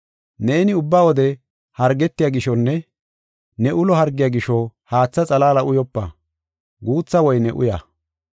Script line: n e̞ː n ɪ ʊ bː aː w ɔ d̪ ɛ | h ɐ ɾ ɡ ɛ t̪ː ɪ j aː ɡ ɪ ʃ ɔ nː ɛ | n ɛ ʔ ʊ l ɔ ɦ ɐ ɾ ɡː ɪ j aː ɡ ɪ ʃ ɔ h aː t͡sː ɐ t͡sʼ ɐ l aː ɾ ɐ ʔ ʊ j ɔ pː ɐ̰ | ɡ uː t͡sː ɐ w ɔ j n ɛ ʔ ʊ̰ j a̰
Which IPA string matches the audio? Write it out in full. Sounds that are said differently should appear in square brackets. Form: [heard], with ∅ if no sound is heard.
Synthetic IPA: n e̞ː n ɪ ʊ bː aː w ɔ d̪ ɛ | h ɐ ɾ ɡ ɛ t̪ː ɪ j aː ɡ ɪ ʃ ɔ nː ɛ | n ɛ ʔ ʊ l ɔ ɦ ɐ ɾ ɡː ɪ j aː ɡ ɪ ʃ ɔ h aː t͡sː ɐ t͡sʼ ɐ l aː [l] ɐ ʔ ʊ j ɔ pː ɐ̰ | ɡ uː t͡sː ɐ w ɔ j n ɛ ʔ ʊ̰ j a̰

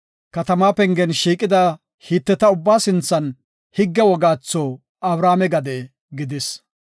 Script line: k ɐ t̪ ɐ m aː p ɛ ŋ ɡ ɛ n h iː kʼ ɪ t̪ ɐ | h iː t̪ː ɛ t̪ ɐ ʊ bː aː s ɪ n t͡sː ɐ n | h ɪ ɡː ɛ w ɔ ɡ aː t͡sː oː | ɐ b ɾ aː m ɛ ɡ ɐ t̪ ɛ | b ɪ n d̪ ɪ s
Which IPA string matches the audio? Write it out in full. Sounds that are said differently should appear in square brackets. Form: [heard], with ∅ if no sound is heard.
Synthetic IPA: k ɐ t̪ ɐ m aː p ɛ ŋ ɡ ɛ n [ʃ] iː kʼ ɪ [d̪] ɐ | h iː t̪ː ɛ t̪ ɐ ʊ bː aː s ɪ n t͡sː ɐ n | h ɪ ɡː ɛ w ɔ ɡ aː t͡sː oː | ɐ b ɾ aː m ɛ ɡ ɐ [d̪] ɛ | [ɡ] ɪ [∅] d̪ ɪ s

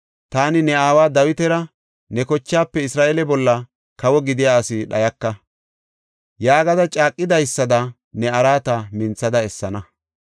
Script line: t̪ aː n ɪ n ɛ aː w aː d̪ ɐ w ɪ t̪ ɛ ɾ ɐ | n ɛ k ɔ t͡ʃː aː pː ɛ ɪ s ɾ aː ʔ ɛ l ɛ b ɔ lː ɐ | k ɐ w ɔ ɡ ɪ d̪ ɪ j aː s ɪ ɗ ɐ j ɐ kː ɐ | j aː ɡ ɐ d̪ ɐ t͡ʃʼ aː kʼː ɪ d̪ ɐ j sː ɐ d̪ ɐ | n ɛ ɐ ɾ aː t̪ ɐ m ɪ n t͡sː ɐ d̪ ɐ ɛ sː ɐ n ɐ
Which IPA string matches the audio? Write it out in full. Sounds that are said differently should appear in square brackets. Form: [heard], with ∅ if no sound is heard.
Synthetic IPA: t̪ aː n ɪ n ɛ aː w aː d̪ ɐ w ɪ t̪ ɛ ɾ ɐ | n ɛ k ɔ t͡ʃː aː pː ɛ ɪ s ɾ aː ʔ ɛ l ɛ b ɔ lː ɐ | k ɐ w ɔ ɡ ɪ d̪ ɪ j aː s ɪ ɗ ɐ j ɐ kː ɐ | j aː ɡ ɐ d̪ ɐ t͡ʃʼ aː kʼː ɪ d̪ ɐ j sː ɐ d̪ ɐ | n ɛ ɐ ɾ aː t̪ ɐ m ɪ n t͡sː ɐ d̪ ɐ ɛ sː ɐ n ɐ

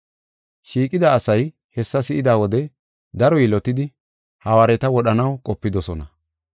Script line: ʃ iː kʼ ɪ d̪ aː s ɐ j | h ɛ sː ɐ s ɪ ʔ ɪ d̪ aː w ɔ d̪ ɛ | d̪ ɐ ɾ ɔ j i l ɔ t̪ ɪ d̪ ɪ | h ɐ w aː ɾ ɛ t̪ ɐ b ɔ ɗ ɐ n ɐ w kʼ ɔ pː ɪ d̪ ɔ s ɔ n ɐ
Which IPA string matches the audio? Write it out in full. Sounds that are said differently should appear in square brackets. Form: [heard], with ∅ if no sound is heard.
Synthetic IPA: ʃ iː kʼ ɪ d̪ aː s ɐ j | h ɛ sː ɐ s ɪ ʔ ɪ d̪ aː w ɔ d̪ ɛ | d̪ ɐ ɾ ɔ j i l ɔ t̪ ɪ d̪ ɪ | h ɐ w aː ɾ ɛ t̪ ɐ [w] ɔ ɗ ɐ n ɐ w kʼ ɔ pː ɪ d̪ ɔ s ɔ n ɐ

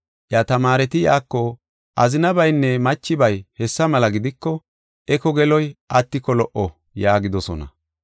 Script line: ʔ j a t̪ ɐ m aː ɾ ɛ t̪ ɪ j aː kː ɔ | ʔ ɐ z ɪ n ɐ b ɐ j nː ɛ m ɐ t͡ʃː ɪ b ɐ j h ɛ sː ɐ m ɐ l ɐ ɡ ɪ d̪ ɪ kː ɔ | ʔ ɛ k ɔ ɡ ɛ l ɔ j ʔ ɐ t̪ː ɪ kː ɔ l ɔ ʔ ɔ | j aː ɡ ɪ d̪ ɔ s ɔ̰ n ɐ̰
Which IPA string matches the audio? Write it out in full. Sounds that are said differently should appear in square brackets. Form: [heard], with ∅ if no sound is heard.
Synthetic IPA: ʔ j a t̪ ɐ m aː ɾ ɛ t̪ ɪ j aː kː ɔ | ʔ ɐ z ɪ n ɐ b ɐ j nː ɛ m ɐ t͡ʃː ɪ b ɐ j h ɛ sː ɐ m ɐ l ɐ ɡ ɪ d̪ ɪ kː ɔ | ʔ ɛ k ɔ ɡ ɛ l ɔ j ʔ ɐ t̪ː ɪ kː ɔ l ɔ ʔ ɔ | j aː ɡ ɪ d̪ ɔ s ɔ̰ n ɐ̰

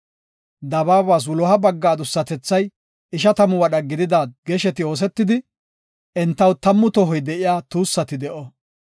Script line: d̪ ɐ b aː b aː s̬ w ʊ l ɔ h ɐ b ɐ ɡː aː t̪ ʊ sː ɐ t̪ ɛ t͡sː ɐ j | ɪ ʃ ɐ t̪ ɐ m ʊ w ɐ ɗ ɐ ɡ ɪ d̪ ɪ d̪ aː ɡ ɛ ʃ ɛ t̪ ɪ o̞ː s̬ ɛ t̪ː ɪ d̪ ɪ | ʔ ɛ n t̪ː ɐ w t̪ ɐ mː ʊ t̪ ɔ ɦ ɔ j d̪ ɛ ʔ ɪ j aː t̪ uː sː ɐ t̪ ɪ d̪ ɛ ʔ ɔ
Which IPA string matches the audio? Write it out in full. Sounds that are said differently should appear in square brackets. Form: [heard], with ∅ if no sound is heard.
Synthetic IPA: d̪ ɐ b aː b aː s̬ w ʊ l ɔ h ɐ b ɐ ɡː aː [d̪] ʊ sː ɐ t̪ ɛ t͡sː ɐ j | ɪ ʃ ɐ t̪ ɐ m ʊ w ɐ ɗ ɐ ɡ ɪ d̪ ɪ d̪ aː ɡ ɛ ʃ ɛ t̪ ɪ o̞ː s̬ ɛ t̪ː ɪ d̪ ɪ | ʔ ɛ n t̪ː ɐ w t̪ ɐ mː ʊ t̪ ɔ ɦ ɔ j d̪ ɛ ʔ ɪ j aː t̪ uː sː ɐ t̪ ɪ d̪ ɛ ʔ ɔ

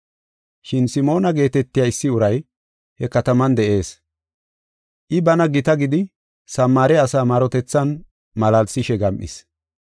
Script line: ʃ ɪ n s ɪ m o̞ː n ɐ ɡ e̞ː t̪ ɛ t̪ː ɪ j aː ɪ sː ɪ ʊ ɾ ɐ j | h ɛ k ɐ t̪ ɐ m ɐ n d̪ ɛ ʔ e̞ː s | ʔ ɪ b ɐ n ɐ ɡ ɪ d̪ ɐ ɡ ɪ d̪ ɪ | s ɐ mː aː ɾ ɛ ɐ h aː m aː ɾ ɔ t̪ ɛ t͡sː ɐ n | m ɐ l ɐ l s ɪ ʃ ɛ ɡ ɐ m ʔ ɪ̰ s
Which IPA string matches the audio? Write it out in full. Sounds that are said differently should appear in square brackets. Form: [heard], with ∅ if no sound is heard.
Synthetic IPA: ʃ ɪ n s ɪ m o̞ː n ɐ ɡ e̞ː t̪ ɛ t̪ː ɪ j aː ɪ sː ɪ ʊ ɾ ɐ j | h ɛ k ɐ t̪ ɐ m ɐ n d̪ ɛ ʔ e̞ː s | ʔ ɪ b ɐ n ɐ ɡ ɪ [t̪] ɐ ɡ ɪ d̪ ɪ | s ɐ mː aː ɾ ɛ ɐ [s] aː m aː ɾ ɔ t̪ ɛ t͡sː ɐ n | m ɐ l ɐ l s ɪ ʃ ɛ ɡ ɐ m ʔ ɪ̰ s

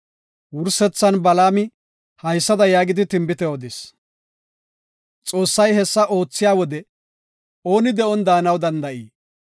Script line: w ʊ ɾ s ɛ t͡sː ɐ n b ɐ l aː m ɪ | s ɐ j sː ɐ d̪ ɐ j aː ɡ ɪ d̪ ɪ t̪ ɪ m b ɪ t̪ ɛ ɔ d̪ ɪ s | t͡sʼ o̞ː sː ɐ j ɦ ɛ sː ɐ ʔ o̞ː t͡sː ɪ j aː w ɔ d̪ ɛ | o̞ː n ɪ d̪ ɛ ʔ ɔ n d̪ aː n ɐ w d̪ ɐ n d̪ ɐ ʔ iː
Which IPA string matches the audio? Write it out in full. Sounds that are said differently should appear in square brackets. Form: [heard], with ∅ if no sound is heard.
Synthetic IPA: w ʊ ɾ s ɛ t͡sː ɐ n b ɐ l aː m ɪ | [h] ɐ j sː ɐ d̪ ɐ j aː ɡ ɪ d̪ ɪ t̪ ɪ m b ɪ t̪ ɛ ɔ d̪ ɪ s | t͡sʼ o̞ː sː ɐ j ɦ ɛ sː ɐ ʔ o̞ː t͡sː ɪ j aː w ɔ d̪ ɛ | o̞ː n ɪ d̪ ɛ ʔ ɔ n d̪ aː n ɐ w d̪ ɐ n d̪ ɐ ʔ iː

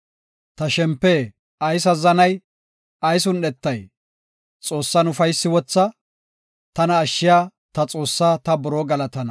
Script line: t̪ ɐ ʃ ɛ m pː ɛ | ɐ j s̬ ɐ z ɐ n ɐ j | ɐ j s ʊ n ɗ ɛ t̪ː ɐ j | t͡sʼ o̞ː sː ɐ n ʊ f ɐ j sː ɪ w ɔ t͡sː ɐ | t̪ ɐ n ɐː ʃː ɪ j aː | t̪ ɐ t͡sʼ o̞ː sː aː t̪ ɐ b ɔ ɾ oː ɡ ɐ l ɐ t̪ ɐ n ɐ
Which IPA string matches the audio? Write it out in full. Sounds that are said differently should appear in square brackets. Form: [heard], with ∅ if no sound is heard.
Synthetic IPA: t̪ ɐ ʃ ɛ m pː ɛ | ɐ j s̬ ɐ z ɐ n ɐ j | ɐ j s ʊ n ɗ ɛ t̪ː ɐ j | t͡sʼ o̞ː sː ɐ n ʊ f ɐ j sː ɪ w ɔ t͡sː ɐ | t̪ ɐ n ɐː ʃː ɪ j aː | t̪ ɐ t͡sʼ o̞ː sː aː t̪ ɐ b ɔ ɾ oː ɡ ɐ l ɐ t̪ ɐ n ɐ

